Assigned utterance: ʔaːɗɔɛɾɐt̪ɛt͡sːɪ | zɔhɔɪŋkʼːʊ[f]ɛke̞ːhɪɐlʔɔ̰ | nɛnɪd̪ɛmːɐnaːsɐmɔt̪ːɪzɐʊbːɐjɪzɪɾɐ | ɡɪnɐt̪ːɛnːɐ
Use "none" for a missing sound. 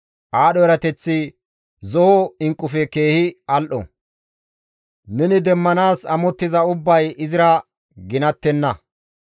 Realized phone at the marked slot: f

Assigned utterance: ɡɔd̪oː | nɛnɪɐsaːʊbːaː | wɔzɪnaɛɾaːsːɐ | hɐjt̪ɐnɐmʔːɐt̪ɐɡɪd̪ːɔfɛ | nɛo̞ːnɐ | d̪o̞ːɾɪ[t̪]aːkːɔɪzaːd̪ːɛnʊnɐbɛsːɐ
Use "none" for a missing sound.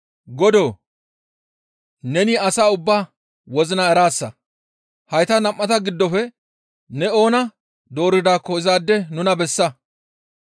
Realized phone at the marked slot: d̪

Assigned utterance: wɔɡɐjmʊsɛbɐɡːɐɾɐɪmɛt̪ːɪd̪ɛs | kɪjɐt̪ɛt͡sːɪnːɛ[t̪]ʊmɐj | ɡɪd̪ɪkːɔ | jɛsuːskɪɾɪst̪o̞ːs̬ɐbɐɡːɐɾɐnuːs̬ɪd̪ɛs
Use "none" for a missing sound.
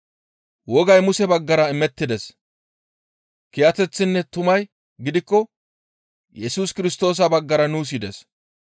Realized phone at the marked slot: t̪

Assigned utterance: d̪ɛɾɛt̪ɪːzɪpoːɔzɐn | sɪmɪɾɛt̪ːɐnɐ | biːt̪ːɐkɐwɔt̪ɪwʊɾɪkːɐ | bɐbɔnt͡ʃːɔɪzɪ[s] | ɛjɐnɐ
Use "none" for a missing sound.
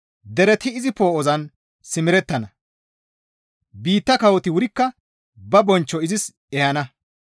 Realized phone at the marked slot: s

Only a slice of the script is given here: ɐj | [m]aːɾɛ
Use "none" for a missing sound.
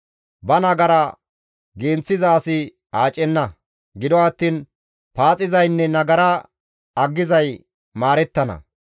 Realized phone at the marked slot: m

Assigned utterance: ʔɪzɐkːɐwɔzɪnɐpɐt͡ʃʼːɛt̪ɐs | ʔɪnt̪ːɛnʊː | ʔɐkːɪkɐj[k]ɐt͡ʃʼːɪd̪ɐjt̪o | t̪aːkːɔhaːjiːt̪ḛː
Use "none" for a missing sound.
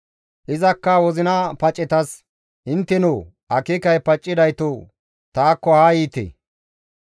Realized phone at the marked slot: p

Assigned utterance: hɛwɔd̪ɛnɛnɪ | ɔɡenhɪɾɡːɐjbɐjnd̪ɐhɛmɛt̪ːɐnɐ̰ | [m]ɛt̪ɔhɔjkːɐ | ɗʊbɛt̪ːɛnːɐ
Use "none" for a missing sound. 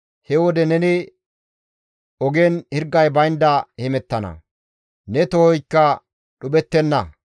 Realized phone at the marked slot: n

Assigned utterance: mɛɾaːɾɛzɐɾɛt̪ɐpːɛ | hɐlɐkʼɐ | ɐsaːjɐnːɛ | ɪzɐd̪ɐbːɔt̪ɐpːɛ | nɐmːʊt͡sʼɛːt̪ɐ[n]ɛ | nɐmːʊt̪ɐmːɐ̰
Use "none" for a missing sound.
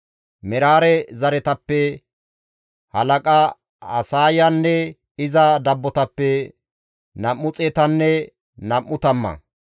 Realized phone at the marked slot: nː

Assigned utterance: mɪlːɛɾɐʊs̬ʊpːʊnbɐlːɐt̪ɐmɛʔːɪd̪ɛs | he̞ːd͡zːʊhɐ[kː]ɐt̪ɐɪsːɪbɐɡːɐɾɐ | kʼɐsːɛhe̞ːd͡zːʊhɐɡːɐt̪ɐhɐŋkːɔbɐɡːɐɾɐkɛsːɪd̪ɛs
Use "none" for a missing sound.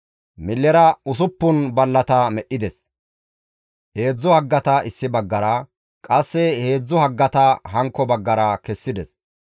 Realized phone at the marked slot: ɡː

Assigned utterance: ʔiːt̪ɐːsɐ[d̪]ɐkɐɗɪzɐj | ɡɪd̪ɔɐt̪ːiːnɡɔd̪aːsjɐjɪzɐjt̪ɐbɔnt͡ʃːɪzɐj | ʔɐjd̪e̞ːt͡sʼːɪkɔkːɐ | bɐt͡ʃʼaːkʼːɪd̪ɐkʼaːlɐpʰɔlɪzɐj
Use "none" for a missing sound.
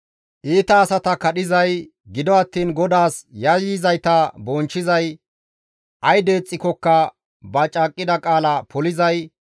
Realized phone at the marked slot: t̪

